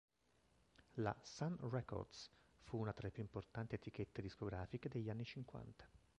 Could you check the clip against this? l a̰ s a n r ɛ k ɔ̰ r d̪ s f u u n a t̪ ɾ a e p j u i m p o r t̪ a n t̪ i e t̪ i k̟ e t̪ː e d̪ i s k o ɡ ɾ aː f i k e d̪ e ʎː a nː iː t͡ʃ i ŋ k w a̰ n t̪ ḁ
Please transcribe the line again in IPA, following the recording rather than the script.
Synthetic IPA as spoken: l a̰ s a n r ɛ k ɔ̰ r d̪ s f u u n a t̪ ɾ a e p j u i m p o r t̪ a n t̪ i e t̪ i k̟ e t̪ː e d̪ i s k o ɡ ɾ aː f i k e d̪ e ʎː a nː i t͡ʃ i ŋ k w a̰ n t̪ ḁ